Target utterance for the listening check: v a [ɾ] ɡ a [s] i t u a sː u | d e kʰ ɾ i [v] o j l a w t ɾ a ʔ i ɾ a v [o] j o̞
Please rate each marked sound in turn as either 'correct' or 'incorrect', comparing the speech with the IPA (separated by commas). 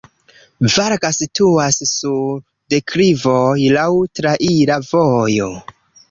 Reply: correct, correct, correct, correct